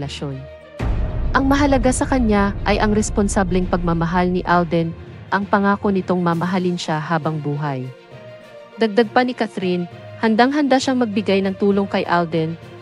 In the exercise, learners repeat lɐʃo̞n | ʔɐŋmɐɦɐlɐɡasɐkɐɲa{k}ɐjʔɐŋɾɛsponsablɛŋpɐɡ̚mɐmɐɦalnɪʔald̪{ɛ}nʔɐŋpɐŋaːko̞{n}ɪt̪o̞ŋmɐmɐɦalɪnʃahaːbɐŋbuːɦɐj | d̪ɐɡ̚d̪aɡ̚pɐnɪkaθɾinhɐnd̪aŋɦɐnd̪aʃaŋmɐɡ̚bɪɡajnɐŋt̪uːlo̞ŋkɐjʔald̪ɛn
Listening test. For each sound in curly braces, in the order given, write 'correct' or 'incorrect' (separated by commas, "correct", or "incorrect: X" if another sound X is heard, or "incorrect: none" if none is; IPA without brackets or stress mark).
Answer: incorrect: ʔ, correct, correct